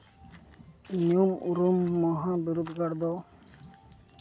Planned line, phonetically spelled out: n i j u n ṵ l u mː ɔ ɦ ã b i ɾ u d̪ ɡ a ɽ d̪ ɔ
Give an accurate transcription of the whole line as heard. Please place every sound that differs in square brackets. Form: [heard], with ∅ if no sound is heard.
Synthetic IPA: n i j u [m] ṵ [ɾ] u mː ɔ ɦ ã b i ɾ u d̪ ɡ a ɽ d̪ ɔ